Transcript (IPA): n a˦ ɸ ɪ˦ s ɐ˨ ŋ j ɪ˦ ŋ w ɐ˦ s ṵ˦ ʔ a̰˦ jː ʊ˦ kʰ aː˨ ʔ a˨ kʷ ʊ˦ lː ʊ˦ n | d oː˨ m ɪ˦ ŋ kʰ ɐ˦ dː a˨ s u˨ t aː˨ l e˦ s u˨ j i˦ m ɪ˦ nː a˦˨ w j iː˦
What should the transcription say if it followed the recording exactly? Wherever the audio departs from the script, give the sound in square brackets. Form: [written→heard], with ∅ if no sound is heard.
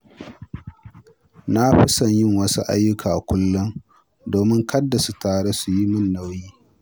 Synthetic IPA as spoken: n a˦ ɸ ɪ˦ s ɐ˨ [ŋ→ɲ] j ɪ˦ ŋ w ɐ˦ s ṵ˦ ʔ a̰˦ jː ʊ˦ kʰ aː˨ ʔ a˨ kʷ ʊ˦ lː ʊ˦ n | d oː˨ m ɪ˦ ŋ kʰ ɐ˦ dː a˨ s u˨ t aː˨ [l→ɽ] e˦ s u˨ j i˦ m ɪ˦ nː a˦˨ w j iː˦